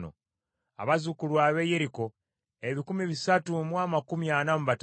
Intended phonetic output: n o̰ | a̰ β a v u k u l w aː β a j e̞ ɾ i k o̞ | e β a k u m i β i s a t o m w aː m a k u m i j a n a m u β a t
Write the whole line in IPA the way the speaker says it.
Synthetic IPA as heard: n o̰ | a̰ β a z u k u l w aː β e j e̞ ɾ i k o̞ | e β i k u m i β i s a t u m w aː m a k u m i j a n a m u β a t